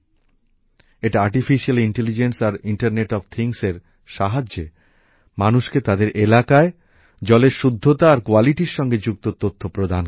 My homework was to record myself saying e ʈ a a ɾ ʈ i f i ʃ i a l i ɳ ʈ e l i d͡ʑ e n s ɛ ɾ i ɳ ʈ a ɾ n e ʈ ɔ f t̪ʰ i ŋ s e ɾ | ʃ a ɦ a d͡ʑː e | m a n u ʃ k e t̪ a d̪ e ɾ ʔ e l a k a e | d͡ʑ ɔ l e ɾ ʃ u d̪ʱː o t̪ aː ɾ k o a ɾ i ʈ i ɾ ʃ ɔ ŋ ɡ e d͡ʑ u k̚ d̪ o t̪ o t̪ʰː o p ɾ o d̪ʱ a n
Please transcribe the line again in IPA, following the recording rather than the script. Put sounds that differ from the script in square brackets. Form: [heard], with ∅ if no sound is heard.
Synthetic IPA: e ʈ a a ɾ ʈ i f i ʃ i a l i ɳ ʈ e l i d͡ʑ e n s [a] ɾ i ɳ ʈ a ɾ n e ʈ ɔ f t̪ʰ i ŋ s e ɾ | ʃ a ɦ a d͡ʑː e | m a n u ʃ k e t̪ a d̪ e ɾ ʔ e l a k a e | d͡ʑ ɔ l e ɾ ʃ u d̪ʱː o t̪ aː ɾ k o a [l] i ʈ i ɾ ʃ ɔ ŋ ɡ e d͡ʑ u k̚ [t̪] o t̪ o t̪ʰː o p ɾ o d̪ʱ a n